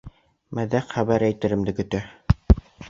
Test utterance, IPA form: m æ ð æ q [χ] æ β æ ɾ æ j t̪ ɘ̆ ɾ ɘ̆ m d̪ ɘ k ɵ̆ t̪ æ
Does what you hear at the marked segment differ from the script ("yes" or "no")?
no